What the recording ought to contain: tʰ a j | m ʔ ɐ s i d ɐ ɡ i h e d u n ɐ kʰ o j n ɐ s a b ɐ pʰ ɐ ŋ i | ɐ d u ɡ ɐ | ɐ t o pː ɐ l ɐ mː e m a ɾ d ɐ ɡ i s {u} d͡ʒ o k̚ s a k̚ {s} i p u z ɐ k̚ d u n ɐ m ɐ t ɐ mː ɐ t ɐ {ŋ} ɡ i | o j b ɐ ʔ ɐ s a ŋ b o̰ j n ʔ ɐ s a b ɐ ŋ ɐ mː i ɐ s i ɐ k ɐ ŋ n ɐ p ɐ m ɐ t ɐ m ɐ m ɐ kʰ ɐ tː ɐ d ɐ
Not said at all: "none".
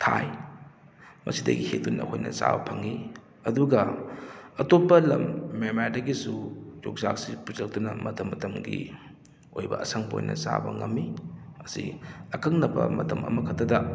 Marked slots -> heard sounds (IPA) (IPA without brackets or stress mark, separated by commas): u, s, m